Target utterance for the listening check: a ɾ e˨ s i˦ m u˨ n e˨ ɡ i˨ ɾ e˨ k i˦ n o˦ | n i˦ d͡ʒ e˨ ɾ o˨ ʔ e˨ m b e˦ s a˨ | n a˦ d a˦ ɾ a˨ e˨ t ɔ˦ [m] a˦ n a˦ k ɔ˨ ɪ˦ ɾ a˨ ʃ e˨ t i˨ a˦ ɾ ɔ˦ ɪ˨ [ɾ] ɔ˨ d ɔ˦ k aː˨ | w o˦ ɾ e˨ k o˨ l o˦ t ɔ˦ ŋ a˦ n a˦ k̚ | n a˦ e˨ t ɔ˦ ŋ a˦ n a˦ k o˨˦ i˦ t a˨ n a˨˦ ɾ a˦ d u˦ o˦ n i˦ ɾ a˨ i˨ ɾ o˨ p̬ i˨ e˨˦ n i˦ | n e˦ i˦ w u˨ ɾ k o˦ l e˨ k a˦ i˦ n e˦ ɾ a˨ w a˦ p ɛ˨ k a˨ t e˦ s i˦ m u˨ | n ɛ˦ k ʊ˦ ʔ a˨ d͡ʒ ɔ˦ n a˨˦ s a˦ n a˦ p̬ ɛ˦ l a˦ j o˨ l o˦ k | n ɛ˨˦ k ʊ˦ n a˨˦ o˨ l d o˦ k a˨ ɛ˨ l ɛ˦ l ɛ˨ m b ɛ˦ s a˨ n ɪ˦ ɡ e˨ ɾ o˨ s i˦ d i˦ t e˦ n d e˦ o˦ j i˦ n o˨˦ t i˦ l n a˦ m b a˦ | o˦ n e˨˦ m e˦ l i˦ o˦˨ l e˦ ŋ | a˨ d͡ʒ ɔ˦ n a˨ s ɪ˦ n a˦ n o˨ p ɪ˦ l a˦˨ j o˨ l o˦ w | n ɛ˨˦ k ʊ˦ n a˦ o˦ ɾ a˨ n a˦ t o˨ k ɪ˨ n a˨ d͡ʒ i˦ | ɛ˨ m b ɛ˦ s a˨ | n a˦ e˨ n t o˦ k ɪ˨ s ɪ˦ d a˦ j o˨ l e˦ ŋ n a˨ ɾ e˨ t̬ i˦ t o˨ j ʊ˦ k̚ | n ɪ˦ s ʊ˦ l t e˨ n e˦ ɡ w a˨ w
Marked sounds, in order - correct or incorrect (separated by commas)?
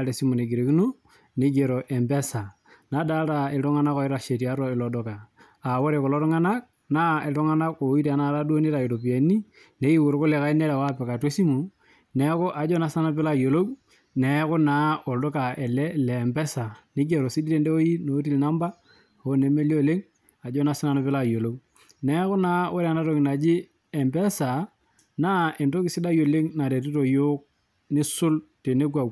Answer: incorrect, incorrect